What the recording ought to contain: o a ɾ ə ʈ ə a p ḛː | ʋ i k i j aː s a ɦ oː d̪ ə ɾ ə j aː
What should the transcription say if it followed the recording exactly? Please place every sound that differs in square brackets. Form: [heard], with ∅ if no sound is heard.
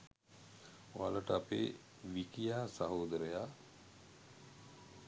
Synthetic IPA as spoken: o a [l] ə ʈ ə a p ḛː | ʋ i k i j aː s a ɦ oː d̪ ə ɾ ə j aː